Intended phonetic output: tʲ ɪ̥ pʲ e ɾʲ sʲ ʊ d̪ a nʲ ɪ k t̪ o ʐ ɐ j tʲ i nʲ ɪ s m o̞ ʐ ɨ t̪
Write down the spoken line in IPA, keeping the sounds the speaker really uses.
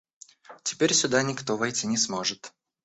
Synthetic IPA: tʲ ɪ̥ pʲ e ɾʲ sʲ ʊ d̪ a nʲ ɪ k t̪ o v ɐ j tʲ i nʲ ɪ s m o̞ ʐ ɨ t̪